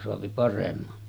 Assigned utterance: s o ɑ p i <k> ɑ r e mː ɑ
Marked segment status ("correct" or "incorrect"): incorrect